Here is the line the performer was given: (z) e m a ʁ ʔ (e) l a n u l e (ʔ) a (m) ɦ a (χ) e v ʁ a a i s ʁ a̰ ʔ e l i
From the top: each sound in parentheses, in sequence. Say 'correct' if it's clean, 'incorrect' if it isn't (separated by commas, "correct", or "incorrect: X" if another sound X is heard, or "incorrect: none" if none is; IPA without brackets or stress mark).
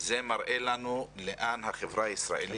correct, correct, correct, incorrect: n, correct